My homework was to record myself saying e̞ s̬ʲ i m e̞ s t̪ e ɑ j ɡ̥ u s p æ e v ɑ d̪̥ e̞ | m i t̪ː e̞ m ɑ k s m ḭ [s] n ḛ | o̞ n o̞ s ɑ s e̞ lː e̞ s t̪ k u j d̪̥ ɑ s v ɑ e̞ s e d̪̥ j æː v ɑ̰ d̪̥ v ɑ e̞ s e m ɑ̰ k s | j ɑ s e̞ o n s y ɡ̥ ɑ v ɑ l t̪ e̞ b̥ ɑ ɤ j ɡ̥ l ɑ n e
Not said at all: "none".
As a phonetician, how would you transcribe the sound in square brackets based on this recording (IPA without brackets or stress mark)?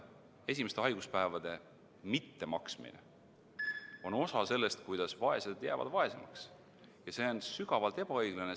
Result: none